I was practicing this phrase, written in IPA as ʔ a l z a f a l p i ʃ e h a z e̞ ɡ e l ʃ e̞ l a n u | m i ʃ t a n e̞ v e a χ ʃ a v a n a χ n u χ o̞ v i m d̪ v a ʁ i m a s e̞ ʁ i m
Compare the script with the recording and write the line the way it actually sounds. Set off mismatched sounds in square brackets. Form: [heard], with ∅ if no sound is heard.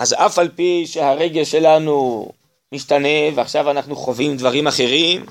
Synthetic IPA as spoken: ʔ a [∅] z a f a l p i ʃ e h a [ʁ] e̞ ɡ e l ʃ e̞ l a n u | m i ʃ t a n e̞ v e a χ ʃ a v a n a χ n u χ o̞ v i m d̪ v a ʁ i m a [χ] e̞ ʁ i m